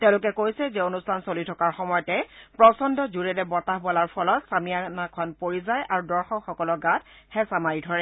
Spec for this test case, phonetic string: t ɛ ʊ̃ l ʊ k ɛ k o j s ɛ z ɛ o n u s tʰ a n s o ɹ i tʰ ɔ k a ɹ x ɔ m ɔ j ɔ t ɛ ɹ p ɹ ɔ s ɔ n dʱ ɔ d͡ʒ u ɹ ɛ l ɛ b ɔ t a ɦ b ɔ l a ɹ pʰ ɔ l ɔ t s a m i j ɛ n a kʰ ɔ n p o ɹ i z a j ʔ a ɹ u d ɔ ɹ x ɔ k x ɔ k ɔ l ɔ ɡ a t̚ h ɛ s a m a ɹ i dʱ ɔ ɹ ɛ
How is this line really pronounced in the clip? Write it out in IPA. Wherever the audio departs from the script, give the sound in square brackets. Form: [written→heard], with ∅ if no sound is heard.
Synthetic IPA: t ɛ ʊ̃ l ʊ k ɛ k o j s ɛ z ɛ o n u s tʰ a n s o [ɹ→l] i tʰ ɔ k a ɹ x ɔ m ɔ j ɔ t ɛ [ɹ→∅] p ɹ ɔ s ɔ n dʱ ɔ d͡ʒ u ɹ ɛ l ɛ b ɔ t a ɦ b ɔ l a ɹ pʰ ɔ l ɔ t s a m i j [ɛ→a] n a kʰ ɔ n p o ɹ i z a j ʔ a ɹ u d ɔ ɹ x ɔ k x ɔ k ɔ l ɔ ɡ a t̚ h ɛ s a m a ɹ i dʱ ɔ ɹ ɛ